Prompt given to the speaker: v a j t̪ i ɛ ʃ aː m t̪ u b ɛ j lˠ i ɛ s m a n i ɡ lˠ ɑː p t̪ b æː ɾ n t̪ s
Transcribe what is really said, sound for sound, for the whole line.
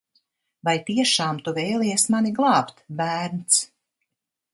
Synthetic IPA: v a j t̪ i ɛ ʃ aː m t̪ u v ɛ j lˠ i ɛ s m a n i ɡ lˠ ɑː p t̪ b æː ɾ n t̪ s